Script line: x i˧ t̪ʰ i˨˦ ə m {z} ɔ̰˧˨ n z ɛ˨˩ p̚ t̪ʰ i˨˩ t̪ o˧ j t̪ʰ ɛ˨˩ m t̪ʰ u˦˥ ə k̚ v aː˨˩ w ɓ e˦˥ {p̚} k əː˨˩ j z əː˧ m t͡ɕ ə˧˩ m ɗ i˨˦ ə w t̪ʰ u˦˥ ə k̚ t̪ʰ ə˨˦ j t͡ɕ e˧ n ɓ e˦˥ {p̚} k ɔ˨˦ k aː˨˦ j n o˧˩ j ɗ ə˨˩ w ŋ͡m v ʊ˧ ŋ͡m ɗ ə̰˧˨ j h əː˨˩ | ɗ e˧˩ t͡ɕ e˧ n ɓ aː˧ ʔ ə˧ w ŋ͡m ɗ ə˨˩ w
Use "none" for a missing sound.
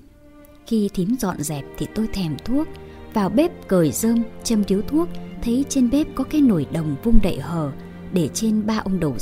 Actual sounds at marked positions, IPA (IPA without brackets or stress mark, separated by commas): z, p̚, p̚